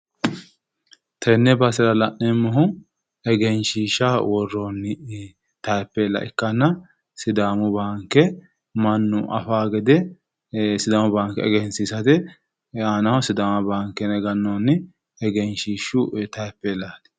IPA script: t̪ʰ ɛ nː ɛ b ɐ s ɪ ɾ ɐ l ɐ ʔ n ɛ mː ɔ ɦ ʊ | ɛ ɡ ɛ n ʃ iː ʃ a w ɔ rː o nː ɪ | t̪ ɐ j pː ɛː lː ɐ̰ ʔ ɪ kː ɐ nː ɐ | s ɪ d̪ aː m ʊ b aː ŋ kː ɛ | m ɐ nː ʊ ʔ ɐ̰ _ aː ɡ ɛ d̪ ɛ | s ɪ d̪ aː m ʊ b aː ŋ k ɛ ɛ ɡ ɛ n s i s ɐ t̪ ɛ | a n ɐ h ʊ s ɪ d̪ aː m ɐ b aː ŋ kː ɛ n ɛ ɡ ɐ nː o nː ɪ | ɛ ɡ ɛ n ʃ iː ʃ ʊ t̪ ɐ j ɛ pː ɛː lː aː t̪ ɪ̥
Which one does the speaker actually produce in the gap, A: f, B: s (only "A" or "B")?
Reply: A